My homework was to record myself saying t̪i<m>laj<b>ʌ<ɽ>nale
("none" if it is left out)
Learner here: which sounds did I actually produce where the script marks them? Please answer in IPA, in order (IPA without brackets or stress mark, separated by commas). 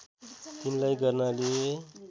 n, ɡ, r